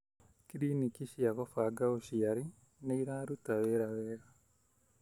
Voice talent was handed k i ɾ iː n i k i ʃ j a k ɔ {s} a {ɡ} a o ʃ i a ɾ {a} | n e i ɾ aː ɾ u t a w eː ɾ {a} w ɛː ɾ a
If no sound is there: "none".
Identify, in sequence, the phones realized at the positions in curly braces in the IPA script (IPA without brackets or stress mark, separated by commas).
f, ɡ, i, a